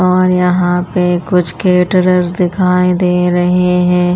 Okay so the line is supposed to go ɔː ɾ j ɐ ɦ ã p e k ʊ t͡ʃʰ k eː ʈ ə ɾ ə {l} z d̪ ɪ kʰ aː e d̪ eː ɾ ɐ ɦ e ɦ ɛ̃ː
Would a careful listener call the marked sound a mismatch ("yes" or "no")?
yes